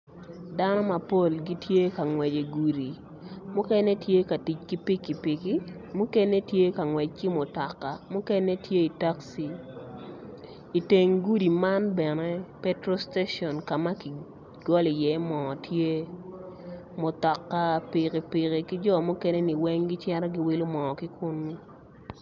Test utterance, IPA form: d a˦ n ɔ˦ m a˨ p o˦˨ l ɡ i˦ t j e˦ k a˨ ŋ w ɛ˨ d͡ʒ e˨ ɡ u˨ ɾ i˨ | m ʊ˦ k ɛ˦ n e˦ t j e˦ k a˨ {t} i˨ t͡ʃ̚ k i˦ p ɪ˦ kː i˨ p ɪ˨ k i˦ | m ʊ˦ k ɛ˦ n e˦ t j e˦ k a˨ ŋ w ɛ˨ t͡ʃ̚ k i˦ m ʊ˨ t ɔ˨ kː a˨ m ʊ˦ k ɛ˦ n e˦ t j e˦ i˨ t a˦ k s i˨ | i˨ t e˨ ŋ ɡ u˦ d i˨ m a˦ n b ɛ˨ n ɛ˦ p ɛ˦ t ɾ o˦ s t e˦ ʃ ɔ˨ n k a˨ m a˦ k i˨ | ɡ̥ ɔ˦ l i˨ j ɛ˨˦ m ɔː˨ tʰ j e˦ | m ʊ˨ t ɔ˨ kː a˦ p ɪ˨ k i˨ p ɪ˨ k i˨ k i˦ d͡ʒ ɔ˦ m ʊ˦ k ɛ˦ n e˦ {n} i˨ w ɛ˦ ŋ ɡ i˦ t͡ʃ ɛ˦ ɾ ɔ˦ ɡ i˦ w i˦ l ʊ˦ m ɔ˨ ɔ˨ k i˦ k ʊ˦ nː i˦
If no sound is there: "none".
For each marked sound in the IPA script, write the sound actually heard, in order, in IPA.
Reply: t, n

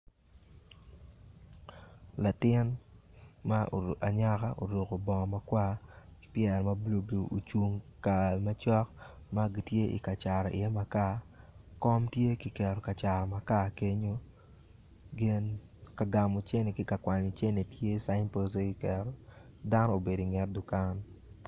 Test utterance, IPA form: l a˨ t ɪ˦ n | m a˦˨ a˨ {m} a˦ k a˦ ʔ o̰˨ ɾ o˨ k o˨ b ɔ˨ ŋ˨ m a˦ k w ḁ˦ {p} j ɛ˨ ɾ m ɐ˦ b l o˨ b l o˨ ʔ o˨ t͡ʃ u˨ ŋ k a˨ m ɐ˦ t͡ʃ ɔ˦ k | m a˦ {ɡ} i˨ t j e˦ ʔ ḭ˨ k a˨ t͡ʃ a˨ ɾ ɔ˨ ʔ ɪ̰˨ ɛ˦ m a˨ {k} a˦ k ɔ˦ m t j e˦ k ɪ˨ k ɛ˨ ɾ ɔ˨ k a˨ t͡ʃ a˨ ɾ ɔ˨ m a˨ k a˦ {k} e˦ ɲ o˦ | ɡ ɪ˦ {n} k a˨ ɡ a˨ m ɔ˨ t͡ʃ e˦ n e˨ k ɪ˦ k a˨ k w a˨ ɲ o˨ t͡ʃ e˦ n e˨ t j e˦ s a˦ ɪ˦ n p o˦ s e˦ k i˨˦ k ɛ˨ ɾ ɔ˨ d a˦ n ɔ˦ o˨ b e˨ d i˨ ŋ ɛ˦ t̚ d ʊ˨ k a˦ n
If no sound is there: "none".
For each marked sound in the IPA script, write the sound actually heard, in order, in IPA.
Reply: ɲ, p, ɡ, k, k, n

